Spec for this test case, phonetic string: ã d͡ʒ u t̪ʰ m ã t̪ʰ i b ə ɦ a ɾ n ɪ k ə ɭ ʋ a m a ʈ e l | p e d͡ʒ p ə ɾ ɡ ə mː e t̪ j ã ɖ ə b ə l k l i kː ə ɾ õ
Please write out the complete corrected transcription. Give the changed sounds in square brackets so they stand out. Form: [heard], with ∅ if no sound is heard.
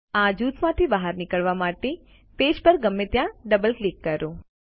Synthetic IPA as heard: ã d͡ʒ u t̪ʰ m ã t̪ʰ i b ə ɦ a ɾ n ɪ k ə ɭ ʋ a m a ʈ e [∅] | p e d͡ʒ p ə ɾ ɡ ə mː e t̪ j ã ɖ ə b ə l k l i kː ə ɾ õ